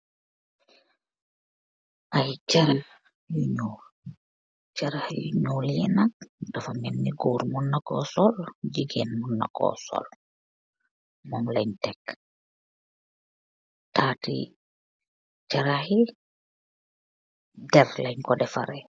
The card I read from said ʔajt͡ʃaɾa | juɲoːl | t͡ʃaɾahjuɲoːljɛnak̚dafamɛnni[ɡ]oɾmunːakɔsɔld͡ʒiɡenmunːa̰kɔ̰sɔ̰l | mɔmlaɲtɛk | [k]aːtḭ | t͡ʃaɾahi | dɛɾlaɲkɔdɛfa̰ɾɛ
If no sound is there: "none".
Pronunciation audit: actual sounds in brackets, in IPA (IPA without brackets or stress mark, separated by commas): ɡ, t